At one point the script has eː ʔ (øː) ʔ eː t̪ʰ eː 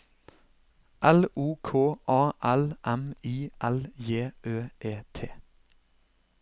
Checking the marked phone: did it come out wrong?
no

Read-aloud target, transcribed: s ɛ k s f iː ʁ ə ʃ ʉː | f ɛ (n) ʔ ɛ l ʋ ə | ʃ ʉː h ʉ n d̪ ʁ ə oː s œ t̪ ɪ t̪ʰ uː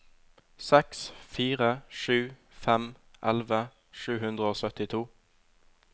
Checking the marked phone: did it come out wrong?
yes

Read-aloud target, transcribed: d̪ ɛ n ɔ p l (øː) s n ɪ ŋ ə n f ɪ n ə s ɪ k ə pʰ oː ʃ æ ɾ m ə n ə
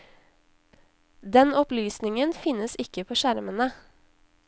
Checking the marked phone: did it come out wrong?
yes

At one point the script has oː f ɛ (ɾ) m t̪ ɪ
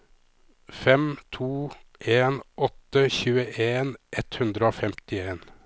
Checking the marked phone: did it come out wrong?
yes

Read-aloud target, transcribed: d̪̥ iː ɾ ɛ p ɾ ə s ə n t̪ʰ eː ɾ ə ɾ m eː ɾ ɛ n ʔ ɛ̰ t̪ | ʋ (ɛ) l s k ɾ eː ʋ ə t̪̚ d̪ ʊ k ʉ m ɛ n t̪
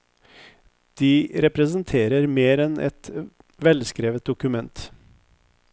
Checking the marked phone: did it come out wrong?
no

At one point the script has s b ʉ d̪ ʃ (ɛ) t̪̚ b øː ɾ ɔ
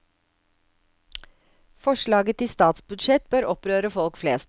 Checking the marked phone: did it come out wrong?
no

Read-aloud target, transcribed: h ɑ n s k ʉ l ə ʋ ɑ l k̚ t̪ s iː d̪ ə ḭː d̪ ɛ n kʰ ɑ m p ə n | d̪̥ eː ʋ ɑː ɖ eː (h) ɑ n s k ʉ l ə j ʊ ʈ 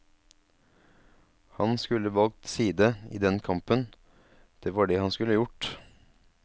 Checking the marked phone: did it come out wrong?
no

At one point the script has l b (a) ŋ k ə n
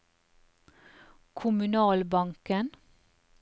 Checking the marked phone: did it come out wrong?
yes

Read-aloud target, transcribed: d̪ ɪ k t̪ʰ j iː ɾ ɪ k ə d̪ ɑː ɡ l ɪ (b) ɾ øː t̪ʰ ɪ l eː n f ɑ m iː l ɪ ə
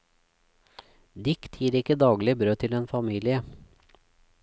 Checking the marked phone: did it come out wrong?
no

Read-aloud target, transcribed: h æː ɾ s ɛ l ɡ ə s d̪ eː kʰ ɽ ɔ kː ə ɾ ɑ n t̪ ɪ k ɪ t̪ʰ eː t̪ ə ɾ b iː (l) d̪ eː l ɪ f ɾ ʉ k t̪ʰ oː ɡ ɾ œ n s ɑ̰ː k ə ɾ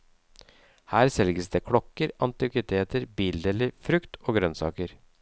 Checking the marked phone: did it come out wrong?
no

